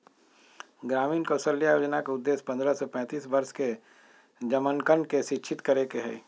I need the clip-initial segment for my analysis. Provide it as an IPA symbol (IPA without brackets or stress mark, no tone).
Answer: ɡ